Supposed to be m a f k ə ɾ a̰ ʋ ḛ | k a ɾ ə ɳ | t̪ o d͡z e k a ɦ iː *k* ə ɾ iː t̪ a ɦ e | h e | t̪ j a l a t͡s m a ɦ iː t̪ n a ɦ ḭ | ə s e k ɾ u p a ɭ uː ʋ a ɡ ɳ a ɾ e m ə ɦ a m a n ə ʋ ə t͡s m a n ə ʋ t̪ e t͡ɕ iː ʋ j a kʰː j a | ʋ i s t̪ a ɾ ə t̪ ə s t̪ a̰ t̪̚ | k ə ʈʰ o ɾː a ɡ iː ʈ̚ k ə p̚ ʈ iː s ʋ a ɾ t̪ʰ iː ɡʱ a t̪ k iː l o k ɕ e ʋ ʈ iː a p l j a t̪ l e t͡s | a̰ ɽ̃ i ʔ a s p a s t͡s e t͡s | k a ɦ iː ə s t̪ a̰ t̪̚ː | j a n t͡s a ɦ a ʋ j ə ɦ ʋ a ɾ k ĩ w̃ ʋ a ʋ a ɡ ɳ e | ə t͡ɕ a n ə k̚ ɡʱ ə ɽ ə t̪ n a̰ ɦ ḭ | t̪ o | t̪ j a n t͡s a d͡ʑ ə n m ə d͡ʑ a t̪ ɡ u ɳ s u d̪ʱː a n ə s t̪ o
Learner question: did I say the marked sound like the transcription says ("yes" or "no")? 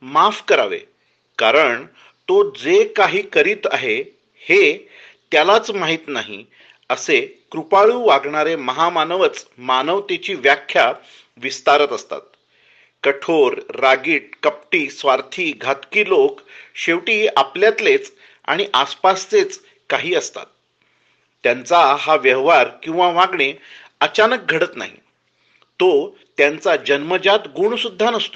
yes